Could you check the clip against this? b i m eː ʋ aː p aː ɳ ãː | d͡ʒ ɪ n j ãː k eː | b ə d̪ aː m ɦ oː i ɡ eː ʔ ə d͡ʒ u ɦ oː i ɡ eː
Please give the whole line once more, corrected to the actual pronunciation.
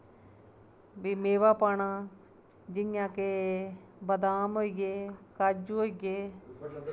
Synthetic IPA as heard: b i m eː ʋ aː p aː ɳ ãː | d͡ʒ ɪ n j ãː k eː | b ə d̪ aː m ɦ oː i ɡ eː k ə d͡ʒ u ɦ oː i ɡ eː